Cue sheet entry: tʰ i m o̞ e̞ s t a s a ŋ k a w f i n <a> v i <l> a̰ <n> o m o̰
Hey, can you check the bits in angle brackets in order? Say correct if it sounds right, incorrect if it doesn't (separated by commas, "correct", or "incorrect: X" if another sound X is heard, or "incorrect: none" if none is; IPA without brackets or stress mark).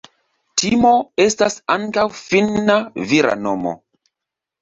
correct, incorrect: ɾ, correct